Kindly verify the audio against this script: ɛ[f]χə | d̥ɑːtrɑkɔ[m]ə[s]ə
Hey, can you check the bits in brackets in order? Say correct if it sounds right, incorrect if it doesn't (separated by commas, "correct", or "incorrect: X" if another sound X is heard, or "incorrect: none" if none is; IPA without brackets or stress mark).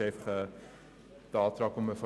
correct, correct, incorrect: f